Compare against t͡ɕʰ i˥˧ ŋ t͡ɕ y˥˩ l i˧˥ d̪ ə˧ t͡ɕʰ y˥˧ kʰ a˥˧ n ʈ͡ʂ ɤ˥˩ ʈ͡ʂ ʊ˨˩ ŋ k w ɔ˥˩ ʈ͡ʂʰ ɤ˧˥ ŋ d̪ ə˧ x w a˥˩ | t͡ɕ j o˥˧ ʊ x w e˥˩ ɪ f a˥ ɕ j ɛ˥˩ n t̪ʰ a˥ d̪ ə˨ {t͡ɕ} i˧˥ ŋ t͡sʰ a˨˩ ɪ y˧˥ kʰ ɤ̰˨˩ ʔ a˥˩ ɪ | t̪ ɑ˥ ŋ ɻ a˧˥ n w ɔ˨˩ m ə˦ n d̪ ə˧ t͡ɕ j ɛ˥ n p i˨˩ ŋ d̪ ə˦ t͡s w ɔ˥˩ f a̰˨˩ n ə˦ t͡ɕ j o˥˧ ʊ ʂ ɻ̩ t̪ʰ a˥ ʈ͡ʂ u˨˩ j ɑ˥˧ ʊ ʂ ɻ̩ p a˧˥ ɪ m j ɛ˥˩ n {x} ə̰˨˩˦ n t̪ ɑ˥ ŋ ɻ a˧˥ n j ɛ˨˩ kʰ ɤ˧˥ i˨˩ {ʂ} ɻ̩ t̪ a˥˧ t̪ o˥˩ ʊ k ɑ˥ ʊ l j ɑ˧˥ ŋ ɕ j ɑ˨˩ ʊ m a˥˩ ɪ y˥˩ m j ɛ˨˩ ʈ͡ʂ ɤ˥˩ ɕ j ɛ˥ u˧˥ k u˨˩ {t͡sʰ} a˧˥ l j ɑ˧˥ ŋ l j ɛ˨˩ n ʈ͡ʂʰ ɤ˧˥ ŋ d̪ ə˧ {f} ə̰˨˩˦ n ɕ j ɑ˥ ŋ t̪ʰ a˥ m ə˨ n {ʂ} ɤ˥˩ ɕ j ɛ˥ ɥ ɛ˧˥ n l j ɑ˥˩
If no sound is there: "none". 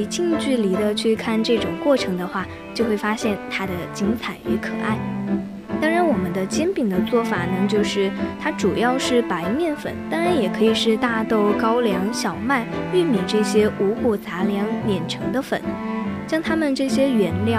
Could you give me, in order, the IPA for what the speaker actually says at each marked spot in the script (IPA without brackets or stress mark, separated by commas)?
t͡ɕ, f, ʂ, t͡s, f, ʈ͡ʂ